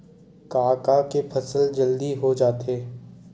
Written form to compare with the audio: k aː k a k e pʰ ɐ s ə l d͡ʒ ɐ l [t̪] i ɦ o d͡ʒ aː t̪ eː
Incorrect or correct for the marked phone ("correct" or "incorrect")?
incorrect